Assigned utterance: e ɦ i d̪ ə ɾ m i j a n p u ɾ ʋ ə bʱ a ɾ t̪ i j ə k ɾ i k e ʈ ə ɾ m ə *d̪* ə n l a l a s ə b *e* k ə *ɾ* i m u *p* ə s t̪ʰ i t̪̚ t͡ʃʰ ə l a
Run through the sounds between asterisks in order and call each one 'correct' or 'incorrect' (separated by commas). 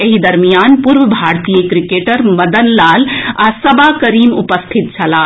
correct, incorrect, correct, correct